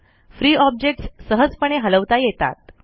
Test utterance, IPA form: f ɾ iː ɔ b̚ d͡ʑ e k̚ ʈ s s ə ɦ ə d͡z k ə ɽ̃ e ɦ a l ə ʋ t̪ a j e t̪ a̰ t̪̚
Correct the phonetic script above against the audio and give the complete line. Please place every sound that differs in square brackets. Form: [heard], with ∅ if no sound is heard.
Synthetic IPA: f ɾ iː ɔ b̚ d͡ʑ e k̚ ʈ s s ə ɦ ə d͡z [p] ə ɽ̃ e ɦ [ə] l ə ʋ t̪ a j e t̪ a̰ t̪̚